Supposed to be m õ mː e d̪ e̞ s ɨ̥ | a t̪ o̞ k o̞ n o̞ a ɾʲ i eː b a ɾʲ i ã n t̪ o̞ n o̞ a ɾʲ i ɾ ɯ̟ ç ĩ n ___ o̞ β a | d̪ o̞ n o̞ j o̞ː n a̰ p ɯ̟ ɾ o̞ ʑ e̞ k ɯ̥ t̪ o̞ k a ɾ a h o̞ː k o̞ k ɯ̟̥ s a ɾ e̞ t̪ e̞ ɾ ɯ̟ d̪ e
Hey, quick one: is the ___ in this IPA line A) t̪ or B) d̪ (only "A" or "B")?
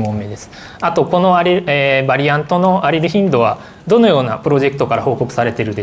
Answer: B